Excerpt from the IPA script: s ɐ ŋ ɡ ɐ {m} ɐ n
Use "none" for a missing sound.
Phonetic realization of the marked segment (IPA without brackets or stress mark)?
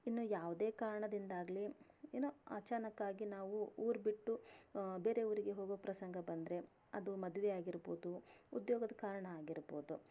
b